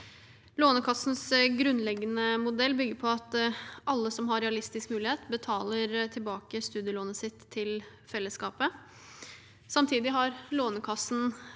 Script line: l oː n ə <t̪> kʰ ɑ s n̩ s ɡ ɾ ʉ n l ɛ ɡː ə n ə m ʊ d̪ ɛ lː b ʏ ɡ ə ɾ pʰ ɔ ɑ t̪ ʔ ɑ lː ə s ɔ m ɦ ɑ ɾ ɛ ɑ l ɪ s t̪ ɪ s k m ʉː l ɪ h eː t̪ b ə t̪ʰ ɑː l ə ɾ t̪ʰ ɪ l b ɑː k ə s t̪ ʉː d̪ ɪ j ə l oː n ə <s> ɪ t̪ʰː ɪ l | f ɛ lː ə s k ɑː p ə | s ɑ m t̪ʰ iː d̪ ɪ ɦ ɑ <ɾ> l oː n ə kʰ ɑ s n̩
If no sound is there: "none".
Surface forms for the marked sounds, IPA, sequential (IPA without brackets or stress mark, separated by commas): none, s, ɾ